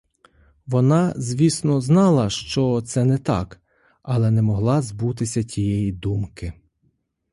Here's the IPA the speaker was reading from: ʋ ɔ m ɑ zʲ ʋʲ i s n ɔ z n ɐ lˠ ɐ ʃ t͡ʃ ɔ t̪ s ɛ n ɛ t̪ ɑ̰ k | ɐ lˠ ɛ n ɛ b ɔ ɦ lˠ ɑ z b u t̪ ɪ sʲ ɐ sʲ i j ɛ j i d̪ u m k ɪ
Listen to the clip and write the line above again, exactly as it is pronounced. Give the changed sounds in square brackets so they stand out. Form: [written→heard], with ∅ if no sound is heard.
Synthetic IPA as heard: ʋ ɔ [m→n] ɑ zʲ ʋʲ i s n ɔ z n [ɐ→ɑ] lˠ ɐ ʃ t͡ʃ ɔ t̪ s ɛ n ɛ t̪ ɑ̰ k | ɐ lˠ ɛ n ɛ [b→m] ɔ ɦ lˠ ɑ z b u t̪ ɪ sʲ ɐ [sʲ→tʲ] i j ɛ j i d̪ u m k ɪ